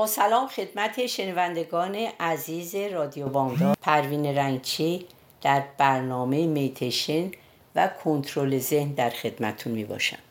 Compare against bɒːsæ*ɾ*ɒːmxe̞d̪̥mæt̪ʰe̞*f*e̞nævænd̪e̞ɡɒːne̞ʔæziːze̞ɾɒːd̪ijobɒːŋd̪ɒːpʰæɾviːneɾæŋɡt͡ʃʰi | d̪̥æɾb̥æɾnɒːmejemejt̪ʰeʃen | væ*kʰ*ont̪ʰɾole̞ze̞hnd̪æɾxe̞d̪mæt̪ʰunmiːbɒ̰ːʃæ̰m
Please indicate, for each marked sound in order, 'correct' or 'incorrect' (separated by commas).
incorrect, incorrect, correct